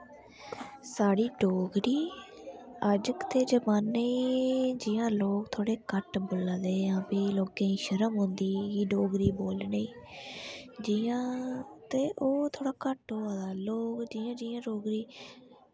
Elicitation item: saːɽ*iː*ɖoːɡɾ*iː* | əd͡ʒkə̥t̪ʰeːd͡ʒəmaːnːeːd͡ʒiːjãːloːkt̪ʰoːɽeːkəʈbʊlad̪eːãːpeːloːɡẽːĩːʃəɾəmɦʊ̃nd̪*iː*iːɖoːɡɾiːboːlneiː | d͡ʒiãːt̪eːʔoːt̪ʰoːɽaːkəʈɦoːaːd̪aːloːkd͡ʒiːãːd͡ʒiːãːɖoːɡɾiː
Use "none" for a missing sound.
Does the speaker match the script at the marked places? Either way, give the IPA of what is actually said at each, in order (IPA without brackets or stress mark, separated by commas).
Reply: iː, iː, iː